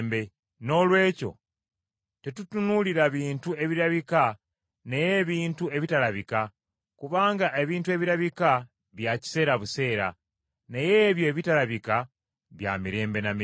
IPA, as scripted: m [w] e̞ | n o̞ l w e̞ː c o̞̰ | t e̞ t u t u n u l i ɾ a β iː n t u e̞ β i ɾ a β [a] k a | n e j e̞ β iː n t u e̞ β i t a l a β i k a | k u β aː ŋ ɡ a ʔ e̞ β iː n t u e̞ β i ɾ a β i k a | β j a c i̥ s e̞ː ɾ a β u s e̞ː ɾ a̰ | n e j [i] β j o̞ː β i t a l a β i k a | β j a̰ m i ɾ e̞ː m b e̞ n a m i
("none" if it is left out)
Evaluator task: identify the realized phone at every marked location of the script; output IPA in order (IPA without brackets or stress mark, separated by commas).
b, i, e